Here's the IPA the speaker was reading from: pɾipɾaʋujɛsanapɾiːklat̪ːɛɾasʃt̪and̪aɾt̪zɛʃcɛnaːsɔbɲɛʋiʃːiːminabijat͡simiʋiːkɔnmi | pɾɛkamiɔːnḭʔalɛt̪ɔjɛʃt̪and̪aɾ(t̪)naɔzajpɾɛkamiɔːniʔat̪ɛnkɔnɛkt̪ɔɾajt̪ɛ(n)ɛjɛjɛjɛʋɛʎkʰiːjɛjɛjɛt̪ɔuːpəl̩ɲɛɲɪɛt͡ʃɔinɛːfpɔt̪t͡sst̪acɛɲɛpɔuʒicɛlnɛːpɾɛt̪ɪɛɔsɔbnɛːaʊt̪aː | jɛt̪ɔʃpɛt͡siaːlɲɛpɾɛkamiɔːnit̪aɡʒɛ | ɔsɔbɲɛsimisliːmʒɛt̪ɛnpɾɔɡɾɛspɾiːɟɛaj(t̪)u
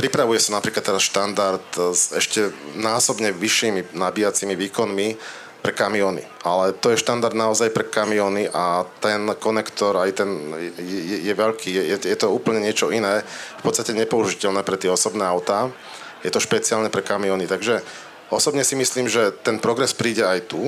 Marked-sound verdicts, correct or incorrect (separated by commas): incorrect, correct, correct